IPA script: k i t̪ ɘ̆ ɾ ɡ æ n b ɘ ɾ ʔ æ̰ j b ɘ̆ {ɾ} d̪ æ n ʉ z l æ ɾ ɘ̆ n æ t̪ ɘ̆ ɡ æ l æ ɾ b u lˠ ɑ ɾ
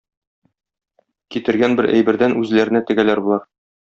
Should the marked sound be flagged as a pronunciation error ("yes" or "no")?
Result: no